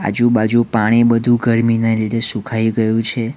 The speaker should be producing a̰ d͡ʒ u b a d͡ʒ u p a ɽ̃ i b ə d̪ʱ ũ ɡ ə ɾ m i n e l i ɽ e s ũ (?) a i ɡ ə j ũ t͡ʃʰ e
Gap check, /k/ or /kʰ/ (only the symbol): kʰ